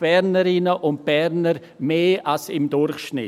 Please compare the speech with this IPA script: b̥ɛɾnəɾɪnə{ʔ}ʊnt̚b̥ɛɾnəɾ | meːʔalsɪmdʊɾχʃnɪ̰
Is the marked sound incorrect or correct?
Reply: correct